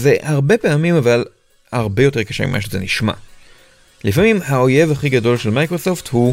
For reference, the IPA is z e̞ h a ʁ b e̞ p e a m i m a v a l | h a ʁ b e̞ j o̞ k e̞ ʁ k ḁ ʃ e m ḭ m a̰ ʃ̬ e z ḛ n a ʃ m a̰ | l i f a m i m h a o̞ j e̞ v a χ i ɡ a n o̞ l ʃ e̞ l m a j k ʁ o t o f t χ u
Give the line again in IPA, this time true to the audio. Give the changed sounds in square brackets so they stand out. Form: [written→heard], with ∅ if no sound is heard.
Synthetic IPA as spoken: z e̞ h a ʁ b e̞ p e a m i m a v a l | h a ʁ b e̞ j o̞ [k→t] e̞ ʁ k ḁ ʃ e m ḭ m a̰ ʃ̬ e z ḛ n [a→i] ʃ m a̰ | l i f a m i m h a o̞ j e̞ v a χ i ɡ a [n→d] o̞ l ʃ e̞ l m a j k ʁ o [t→s] o f t [χ→h] u